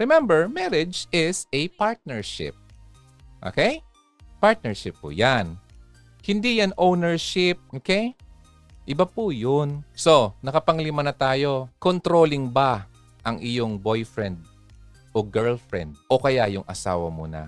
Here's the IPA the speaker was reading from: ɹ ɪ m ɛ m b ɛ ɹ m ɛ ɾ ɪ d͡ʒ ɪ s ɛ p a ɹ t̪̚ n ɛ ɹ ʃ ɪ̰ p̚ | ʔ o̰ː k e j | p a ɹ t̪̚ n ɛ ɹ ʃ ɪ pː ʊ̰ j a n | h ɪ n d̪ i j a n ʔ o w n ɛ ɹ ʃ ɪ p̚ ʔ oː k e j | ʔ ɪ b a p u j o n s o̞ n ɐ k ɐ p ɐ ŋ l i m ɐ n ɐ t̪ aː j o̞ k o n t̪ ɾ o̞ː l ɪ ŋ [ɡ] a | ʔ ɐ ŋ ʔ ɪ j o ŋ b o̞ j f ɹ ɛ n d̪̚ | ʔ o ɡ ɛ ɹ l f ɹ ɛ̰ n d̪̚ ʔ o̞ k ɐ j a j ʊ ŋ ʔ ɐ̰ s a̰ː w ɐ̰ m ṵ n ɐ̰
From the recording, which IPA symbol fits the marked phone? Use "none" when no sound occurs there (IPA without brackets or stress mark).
b